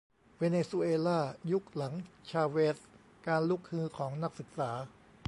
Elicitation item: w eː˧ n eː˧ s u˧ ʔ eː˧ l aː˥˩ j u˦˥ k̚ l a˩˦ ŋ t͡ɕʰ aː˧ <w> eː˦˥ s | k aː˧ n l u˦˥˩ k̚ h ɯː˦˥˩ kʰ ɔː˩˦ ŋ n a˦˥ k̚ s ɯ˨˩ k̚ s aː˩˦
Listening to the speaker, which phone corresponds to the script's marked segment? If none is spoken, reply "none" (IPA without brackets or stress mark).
w